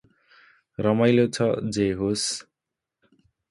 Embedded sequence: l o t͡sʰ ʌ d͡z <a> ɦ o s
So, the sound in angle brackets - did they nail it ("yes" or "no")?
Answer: no